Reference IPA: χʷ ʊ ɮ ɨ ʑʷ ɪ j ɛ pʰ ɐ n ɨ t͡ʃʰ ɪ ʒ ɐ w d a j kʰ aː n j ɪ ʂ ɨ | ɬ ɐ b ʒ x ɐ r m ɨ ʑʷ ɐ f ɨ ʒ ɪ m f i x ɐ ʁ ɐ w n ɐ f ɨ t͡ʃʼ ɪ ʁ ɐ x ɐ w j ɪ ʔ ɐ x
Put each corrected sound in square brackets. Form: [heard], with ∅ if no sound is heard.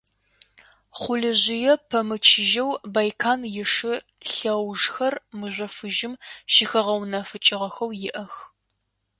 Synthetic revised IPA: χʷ ʊ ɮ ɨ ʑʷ ɪ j ɛ pʰ ɐ [m] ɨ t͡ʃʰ ɪ ʒ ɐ w [b] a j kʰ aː n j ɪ ʂ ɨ | ɬ ɐ [w] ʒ x ɐ r m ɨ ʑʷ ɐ f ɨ ʒ ɪ m [ʃ] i x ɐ ʁ ɐ w n ɐ f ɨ t͡ʃʼ ɪ ʁ ɐ x ɐ w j ɪ ʔ ɐ x